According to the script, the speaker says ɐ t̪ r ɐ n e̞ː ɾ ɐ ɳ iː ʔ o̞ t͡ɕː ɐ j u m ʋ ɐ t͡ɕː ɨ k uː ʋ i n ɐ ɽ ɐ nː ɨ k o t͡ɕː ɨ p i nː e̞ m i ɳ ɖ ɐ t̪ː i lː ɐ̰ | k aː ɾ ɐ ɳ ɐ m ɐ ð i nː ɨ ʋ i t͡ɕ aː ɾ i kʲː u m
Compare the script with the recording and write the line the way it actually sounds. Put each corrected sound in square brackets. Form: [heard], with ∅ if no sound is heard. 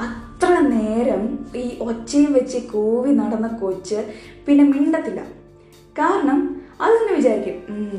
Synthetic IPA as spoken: ɐ t̪ r ɐ n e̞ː ɾ ɐ [m] iː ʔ o̞ t͡ɕː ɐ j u m ʋ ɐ t͡ɕː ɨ k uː ʋ i n ɐ ɽ ɐ nː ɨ k o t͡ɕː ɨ p i nː e̞ m i ɳ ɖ ɐ t̪ː i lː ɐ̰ | k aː ɾ ɐ ɳ ɐ m ɐ ð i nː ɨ ʋ i t͡ɕ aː ɾ i kʲː u m